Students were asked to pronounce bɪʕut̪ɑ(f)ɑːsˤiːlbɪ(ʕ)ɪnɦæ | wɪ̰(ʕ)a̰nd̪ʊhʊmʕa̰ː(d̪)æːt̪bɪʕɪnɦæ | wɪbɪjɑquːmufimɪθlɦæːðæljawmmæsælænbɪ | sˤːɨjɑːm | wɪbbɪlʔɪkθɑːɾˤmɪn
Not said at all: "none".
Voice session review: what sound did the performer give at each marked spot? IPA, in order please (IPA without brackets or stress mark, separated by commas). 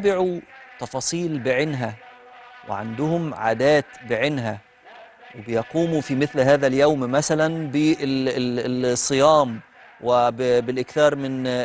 f, ʕ, ʕ, d̪